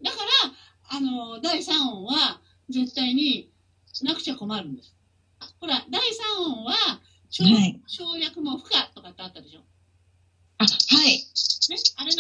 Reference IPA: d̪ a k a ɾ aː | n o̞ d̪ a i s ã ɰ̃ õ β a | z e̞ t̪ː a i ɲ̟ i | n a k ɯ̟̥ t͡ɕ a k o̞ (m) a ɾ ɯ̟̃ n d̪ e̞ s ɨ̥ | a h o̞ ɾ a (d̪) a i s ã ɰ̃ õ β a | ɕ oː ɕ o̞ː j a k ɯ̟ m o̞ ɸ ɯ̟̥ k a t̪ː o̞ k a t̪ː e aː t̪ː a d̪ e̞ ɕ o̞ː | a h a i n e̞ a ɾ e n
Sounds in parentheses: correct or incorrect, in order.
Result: correct, correct

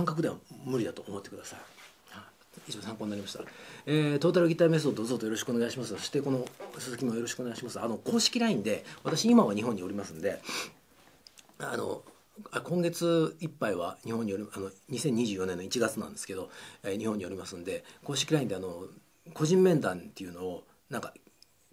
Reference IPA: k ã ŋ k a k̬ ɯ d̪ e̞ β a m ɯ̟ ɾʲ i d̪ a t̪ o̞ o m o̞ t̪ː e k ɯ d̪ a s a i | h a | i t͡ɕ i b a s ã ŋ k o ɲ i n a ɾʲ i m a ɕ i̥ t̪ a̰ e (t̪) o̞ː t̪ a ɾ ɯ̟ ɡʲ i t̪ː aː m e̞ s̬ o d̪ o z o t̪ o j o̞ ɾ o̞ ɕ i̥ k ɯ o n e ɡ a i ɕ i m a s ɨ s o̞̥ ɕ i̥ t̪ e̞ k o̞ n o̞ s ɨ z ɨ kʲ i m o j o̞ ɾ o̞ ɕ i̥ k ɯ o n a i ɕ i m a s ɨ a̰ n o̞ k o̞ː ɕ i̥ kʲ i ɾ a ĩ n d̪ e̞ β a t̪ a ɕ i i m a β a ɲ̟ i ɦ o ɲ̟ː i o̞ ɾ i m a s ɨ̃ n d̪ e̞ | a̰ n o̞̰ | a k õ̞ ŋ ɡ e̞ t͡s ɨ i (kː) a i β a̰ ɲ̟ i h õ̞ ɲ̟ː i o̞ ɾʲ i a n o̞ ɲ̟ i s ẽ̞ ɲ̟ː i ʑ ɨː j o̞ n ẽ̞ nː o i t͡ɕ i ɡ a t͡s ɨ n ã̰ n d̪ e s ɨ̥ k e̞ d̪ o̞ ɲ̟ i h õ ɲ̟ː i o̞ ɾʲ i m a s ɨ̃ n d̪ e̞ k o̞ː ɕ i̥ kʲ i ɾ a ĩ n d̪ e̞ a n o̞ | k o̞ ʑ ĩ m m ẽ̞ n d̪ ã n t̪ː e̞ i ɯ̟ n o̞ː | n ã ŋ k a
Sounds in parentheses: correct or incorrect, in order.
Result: correct, incorrect: pː

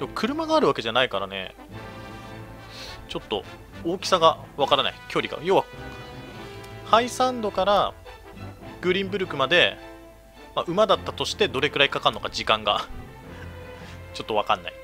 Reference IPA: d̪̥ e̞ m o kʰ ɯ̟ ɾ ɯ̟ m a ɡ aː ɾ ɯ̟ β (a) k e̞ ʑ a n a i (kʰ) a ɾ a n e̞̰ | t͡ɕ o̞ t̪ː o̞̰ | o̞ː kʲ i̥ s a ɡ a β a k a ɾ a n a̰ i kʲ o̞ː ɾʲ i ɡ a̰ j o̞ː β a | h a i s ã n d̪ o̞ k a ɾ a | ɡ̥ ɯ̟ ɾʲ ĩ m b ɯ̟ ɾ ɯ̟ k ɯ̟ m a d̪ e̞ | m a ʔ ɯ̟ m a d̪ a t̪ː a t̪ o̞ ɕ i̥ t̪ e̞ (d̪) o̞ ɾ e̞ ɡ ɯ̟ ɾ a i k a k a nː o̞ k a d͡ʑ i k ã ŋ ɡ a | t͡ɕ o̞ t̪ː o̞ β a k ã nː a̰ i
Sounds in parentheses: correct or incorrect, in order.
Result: correct, incorrect: k, correct

